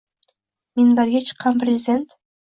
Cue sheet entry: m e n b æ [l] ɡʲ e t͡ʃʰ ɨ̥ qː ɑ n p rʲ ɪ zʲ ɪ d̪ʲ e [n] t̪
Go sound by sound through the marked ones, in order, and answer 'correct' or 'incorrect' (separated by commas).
incorrect, correct